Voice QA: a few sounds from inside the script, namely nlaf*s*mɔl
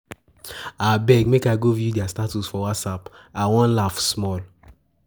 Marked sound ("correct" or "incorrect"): correct